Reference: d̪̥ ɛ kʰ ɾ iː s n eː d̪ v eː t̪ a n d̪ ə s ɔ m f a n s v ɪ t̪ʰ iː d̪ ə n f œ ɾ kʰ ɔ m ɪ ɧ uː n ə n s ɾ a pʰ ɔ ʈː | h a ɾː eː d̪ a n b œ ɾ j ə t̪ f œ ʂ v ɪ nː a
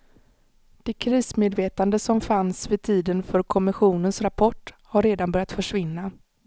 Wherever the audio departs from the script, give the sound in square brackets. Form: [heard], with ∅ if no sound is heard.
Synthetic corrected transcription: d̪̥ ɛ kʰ ɾ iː s [m] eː d̪ v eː t̪ a n d̪ ə s ɔ m f a n s v ɪ t̪ʰ iː d̪ ə n f œ ɾ kʰ ɔ m ɪ ɧ uː n ə n s ɾ a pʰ ɔ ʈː | h a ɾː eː d̪ a n b œ ɾ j [a] t̪ f œ ʂ v ɪ nː a